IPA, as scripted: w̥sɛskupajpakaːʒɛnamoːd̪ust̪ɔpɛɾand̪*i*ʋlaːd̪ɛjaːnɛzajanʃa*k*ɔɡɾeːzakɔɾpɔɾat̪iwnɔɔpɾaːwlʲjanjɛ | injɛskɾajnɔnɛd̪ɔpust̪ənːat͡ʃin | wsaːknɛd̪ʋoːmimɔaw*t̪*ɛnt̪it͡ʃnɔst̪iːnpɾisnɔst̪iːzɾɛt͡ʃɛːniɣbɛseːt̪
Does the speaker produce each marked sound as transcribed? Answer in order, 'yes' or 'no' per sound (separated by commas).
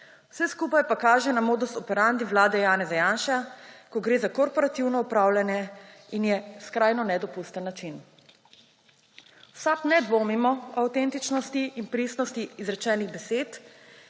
yes, yes, yes